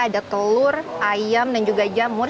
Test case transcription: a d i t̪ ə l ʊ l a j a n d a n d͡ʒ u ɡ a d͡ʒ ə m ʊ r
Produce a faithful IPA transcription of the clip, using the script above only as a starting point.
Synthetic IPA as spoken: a d a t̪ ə l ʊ r a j a m d a n d͡ʒ u ɡ a d͡ʒ a m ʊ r